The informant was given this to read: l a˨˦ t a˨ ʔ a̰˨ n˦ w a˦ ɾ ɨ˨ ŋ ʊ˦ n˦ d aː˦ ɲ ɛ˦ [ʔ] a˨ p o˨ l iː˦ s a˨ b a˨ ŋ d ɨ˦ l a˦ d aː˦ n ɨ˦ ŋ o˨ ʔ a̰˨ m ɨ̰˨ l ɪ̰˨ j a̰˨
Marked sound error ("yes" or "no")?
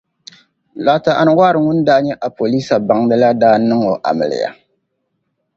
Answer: no